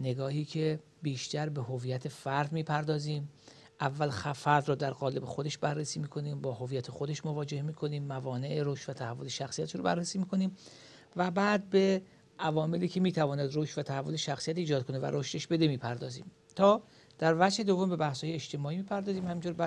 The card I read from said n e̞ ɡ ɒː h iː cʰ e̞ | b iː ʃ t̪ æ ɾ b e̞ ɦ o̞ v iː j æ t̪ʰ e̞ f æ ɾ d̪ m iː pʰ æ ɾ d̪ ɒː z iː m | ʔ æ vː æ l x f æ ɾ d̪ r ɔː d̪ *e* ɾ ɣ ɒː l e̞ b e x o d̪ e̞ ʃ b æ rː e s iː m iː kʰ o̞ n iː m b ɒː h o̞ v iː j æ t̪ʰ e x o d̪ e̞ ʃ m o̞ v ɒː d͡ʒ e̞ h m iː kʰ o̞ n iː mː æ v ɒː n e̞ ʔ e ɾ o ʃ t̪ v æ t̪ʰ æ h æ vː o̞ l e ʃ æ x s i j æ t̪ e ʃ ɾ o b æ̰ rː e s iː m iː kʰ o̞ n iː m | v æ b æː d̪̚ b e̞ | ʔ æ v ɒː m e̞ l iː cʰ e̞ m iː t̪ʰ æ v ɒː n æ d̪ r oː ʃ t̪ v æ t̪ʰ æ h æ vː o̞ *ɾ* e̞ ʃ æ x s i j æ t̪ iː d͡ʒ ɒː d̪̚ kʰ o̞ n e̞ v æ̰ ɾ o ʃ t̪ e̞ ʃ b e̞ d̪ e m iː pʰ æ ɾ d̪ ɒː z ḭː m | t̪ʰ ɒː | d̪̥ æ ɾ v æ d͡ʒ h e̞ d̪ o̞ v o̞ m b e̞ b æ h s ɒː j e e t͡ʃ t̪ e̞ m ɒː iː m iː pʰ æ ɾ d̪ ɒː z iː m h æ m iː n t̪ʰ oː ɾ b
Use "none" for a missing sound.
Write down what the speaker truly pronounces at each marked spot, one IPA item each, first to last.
æ, l

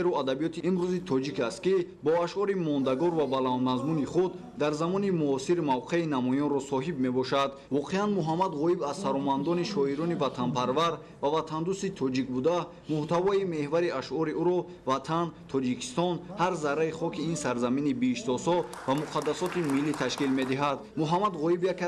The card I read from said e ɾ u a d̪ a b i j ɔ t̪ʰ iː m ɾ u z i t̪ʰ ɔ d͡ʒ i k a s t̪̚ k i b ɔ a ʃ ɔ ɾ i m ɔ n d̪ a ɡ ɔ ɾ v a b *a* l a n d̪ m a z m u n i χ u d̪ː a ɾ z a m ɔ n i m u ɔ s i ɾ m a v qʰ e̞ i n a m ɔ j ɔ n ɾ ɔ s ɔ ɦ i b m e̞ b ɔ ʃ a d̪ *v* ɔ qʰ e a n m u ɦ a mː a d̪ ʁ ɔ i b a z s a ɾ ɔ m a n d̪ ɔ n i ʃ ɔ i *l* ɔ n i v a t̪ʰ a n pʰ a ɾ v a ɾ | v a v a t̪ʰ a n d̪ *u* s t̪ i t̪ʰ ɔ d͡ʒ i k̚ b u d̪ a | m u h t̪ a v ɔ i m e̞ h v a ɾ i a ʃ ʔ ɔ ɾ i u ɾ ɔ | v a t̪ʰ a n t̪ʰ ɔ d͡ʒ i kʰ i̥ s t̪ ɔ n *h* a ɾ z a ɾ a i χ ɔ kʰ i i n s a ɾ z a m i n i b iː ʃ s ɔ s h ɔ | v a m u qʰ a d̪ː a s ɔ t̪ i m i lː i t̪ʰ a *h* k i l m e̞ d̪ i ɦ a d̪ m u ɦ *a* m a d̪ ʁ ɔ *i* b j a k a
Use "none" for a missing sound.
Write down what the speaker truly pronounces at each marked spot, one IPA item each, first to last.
a, v, ɾ, u, h, ʃ, a, i

